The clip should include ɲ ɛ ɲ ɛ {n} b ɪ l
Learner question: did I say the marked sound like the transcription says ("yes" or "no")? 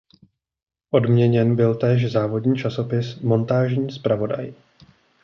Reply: yes